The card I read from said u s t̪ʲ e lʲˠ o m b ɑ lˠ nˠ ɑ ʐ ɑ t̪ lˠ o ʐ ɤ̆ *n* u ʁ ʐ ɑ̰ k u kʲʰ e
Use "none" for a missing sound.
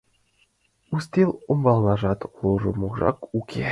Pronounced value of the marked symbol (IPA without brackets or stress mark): m